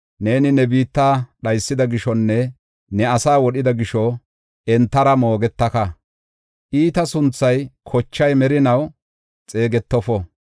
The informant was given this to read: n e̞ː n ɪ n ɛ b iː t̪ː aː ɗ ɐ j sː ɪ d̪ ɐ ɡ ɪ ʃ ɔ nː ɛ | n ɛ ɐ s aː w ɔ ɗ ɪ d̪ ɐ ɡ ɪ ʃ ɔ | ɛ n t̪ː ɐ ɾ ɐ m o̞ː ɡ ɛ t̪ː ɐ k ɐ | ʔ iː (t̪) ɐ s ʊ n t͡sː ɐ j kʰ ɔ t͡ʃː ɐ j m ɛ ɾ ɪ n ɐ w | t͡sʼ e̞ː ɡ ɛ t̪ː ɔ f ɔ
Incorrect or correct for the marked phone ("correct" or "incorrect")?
correct